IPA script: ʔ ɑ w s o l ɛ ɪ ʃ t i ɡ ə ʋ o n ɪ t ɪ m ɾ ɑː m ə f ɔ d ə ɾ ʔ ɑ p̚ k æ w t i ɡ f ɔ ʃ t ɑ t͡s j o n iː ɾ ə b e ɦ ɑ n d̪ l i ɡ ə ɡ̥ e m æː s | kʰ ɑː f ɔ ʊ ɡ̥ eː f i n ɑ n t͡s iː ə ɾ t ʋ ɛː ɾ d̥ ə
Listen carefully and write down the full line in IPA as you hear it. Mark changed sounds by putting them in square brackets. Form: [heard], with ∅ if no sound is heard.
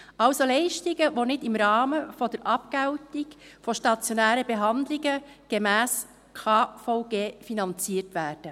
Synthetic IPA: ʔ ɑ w s o l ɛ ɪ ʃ t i ɡ ə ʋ o n ɪ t ɪ m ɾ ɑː m ə f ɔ d ə ɾ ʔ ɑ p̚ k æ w t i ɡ f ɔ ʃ t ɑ t͡s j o n [æː] ɾ ə b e ɦ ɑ n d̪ l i ɡ ə ɡ̥ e m æː s | kʰ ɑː f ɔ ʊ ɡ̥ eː f i n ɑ n t͡s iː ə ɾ t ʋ [æː] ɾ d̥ ə